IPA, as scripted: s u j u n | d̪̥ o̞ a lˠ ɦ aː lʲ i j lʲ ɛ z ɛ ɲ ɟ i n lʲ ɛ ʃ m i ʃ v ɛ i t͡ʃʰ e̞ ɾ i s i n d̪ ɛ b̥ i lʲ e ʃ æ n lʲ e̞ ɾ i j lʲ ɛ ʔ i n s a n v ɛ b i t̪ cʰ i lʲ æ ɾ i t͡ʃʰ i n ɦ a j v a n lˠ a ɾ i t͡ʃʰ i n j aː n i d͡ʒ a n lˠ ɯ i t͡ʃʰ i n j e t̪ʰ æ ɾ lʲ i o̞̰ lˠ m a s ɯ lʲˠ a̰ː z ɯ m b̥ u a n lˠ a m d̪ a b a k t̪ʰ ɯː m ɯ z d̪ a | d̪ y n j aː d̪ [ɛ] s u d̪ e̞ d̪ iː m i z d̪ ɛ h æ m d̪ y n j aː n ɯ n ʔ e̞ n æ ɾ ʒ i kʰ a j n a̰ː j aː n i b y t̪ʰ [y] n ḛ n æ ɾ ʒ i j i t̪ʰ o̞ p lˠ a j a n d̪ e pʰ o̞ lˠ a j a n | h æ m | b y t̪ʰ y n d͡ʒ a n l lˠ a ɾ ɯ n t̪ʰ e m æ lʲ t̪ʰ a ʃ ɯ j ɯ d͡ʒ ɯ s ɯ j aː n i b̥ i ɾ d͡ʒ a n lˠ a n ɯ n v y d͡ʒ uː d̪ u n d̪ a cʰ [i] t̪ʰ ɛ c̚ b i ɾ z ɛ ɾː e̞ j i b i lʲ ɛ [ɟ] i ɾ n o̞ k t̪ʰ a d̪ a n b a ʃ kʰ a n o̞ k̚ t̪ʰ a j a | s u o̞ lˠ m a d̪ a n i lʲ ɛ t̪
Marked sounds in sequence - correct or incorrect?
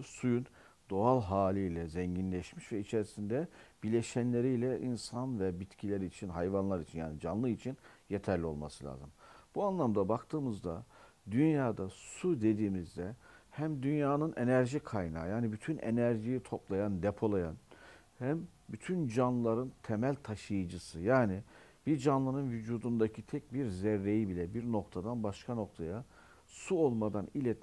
incorrect, correct, correct, incorrect

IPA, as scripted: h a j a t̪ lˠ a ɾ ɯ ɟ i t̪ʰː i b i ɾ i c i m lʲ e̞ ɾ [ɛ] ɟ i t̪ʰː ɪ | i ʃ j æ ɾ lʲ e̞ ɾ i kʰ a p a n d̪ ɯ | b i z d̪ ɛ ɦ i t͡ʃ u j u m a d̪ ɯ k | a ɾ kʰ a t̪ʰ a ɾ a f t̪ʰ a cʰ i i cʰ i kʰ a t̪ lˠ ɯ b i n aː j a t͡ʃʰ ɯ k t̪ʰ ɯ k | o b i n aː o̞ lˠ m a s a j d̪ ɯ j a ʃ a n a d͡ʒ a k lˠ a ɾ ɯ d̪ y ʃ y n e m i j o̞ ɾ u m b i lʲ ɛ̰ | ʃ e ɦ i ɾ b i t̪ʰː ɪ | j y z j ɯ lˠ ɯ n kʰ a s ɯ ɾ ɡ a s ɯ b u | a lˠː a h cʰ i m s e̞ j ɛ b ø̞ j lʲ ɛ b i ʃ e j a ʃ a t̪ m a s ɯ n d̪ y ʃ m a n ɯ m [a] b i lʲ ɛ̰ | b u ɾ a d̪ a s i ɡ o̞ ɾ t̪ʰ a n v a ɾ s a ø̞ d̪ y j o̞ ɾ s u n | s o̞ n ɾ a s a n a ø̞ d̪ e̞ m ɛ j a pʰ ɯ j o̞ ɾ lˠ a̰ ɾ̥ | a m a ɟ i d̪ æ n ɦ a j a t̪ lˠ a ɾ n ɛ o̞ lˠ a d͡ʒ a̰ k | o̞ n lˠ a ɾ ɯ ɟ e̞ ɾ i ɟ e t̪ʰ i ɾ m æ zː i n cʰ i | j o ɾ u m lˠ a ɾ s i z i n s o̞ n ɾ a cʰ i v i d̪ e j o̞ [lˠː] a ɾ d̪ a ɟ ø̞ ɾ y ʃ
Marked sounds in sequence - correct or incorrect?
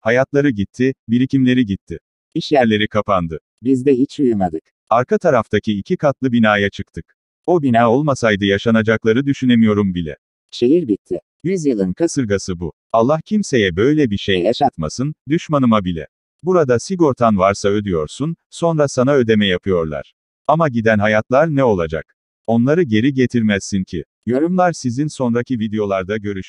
incorrect, correct, incorrect

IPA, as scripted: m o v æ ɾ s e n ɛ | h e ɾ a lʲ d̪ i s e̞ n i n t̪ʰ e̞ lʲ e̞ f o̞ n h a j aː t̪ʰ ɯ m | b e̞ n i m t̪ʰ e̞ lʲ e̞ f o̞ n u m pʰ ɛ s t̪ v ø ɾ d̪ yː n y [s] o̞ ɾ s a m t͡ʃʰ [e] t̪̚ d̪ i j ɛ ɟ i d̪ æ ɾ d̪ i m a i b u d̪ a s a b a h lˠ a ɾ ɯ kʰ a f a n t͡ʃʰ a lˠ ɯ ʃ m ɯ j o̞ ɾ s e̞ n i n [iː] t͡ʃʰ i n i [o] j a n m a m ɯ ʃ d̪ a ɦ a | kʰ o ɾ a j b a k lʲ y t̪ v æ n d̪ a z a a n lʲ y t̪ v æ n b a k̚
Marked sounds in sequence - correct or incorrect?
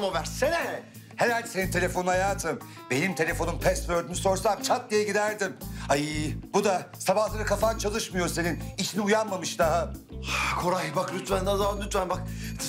correct, incorrect, incorrect, incorrect

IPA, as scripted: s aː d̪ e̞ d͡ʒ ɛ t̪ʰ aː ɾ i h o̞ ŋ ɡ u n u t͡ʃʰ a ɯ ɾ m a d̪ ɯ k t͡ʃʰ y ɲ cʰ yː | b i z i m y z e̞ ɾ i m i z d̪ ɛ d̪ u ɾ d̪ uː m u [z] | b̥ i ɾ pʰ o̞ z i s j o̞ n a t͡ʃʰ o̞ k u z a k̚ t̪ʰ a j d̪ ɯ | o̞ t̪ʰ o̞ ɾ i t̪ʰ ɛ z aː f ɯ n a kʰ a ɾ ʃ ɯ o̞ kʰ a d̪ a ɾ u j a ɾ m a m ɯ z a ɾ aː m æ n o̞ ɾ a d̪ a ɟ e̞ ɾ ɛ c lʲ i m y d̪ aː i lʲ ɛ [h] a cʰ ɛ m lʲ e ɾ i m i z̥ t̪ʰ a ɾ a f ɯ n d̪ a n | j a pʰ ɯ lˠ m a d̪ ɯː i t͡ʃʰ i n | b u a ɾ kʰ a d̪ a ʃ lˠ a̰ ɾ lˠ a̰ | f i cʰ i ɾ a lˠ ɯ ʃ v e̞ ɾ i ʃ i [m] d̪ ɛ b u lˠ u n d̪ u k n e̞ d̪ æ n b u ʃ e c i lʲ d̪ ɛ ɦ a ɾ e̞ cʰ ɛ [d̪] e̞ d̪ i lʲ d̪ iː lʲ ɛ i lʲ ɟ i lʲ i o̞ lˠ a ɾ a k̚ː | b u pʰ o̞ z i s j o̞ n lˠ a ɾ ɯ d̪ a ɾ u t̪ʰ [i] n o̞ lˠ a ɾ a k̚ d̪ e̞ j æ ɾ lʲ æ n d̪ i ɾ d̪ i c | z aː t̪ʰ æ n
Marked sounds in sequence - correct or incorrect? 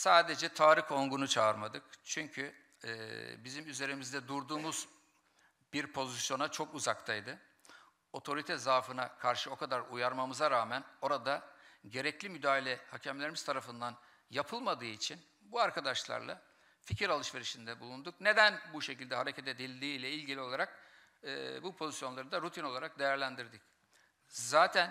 correct, correct, incorrect, incorrect, correct

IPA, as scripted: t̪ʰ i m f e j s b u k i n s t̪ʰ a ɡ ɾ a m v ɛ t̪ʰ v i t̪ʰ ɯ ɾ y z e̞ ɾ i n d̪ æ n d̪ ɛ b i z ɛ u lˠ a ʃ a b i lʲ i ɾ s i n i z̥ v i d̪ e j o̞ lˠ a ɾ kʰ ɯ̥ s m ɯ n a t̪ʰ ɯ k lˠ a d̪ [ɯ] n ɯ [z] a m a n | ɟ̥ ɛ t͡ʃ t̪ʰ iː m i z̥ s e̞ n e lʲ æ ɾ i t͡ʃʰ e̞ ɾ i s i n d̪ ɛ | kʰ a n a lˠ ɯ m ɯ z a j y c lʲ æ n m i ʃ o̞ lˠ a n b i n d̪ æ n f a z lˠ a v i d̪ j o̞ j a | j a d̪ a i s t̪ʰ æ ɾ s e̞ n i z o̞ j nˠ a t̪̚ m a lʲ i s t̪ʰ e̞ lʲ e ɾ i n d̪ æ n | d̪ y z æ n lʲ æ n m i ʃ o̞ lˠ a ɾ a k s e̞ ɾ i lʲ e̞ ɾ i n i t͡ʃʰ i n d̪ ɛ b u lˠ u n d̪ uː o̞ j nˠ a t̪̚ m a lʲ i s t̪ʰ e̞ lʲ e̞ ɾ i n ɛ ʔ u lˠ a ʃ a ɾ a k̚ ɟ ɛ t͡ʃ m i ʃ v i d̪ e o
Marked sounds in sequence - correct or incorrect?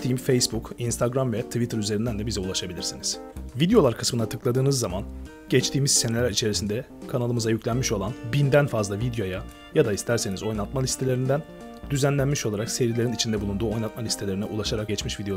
incorrect, incorrect

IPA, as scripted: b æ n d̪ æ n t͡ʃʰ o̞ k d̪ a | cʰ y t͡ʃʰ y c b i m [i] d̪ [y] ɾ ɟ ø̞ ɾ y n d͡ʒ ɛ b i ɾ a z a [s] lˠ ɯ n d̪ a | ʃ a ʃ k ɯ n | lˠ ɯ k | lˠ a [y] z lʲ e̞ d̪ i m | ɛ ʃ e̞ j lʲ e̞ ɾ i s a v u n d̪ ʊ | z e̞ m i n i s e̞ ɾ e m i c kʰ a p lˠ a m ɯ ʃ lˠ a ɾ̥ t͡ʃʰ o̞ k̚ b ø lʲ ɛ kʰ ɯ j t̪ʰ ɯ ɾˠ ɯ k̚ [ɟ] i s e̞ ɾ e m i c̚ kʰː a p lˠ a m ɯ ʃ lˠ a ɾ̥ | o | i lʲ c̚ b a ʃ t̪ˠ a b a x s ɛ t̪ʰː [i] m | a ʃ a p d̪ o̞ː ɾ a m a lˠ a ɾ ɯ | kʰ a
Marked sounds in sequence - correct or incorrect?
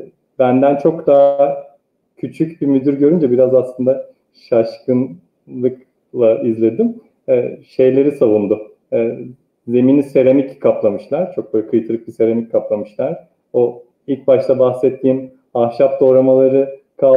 incorrect, correct, correct, incorrect, incorrect, incorrect

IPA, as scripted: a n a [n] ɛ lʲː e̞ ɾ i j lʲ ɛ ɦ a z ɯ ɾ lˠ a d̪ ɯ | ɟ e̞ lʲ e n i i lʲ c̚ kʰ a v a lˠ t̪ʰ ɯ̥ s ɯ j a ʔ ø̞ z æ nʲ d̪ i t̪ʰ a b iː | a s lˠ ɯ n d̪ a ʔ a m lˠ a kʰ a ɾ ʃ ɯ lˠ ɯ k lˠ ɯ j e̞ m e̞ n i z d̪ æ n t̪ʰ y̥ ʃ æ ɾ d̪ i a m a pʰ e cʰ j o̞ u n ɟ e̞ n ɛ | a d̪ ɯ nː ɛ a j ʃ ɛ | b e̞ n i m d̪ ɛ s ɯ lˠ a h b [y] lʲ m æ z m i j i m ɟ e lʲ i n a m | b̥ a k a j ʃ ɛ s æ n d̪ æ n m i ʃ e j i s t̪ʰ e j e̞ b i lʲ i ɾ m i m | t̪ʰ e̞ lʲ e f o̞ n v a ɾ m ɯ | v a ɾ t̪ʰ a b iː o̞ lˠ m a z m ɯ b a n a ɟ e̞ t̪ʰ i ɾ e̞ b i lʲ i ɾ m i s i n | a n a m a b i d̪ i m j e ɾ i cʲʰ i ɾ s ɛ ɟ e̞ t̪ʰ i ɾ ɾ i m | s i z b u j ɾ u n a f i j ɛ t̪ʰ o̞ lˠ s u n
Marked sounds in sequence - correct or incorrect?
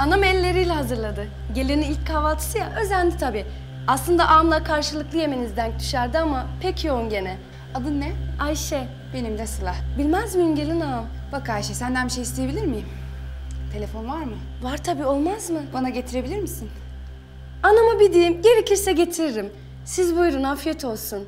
incorrect, incorrect

